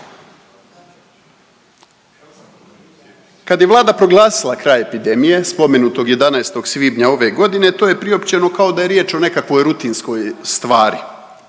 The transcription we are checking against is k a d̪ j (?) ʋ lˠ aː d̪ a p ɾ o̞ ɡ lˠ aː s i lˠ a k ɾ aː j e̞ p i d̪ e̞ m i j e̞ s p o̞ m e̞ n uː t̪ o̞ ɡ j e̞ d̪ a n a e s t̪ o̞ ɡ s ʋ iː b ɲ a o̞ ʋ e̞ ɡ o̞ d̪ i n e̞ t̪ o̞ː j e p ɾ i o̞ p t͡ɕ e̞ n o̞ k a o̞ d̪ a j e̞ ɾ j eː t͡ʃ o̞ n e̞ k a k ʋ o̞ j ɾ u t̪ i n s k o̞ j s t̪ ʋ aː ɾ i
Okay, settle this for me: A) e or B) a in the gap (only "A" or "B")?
A